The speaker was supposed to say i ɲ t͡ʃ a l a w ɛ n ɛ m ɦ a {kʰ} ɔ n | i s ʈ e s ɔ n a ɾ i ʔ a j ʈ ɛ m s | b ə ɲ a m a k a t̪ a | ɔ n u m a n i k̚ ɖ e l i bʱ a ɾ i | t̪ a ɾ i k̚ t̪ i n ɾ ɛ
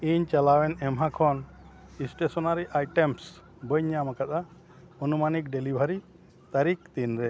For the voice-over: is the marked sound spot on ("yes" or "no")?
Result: yes